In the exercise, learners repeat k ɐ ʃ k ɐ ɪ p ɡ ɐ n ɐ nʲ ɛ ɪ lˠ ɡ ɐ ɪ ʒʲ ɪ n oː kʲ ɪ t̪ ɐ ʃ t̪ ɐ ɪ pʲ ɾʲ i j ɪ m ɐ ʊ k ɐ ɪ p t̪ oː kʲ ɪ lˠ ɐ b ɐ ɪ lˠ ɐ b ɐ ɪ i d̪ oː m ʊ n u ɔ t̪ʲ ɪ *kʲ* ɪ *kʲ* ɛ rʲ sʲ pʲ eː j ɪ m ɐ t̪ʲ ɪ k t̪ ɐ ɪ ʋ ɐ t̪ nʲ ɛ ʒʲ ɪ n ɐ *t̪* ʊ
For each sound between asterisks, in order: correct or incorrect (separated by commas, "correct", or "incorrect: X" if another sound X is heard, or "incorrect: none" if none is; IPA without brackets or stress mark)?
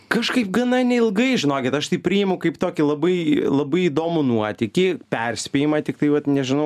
correct, incorrect: pʲ, incorrect: none